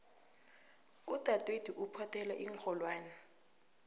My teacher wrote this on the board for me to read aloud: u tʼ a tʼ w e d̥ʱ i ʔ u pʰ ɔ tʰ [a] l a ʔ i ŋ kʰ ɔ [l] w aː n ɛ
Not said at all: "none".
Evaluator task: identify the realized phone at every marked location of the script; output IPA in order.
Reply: ɛ, l

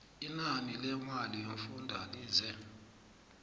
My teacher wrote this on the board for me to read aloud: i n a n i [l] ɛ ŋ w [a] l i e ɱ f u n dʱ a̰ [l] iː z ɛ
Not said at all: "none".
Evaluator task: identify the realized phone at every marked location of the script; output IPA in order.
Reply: l, a, l

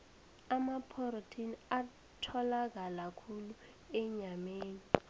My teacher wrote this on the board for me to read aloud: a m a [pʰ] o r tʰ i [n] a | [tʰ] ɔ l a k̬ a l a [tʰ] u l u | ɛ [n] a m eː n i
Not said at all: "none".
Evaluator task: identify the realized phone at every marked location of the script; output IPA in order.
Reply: pʰ, n, tʰ, kʰ, ɲ

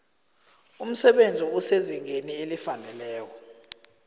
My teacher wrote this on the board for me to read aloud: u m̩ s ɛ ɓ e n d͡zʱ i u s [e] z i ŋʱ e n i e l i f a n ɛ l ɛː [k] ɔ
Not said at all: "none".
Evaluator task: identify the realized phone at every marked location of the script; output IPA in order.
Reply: e, k

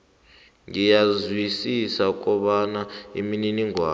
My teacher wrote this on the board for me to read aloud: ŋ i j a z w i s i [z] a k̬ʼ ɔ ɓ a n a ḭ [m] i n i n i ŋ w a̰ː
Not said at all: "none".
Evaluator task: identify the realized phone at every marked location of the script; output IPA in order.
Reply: s, m

